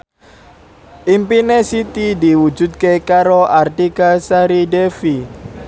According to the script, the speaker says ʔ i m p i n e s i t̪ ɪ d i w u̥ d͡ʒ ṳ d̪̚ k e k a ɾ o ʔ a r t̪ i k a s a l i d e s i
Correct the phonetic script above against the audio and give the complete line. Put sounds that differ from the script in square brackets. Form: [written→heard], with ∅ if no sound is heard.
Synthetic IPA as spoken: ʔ i m p i n e s i t̪ [ɪ→i] d i w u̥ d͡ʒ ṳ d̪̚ k e k a ɾ o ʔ a r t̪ i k a s a [l→ɾ] i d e [s→f] i